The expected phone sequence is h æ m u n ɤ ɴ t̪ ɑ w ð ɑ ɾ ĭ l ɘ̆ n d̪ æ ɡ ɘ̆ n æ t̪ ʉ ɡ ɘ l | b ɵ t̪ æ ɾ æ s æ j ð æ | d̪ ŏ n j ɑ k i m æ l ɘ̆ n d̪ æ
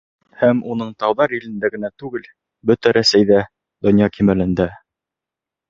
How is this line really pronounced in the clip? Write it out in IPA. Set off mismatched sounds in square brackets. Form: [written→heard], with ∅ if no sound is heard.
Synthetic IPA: h æ m u n ɤ ɴ t̪ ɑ w ð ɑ ɾ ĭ l ɘ̆ n d̪ æ ɡ ɘ̆ n æ t̪ ʉ ɡ ɘ l | b ɵ t̪ æ ɾ æ s æ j ð æ | d̪ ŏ n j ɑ k i m æ l ɘ̆ n d̪ æ